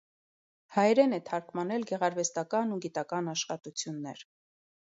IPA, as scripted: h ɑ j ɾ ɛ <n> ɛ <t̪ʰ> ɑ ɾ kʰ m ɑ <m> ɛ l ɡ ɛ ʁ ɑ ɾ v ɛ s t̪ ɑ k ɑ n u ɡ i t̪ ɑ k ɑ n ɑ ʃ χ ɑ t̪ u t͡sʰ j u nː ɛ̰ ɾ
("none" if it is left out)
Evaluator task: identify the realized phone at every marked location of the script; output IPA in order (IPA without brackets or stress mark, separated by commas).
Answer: n, t̪ʰ, n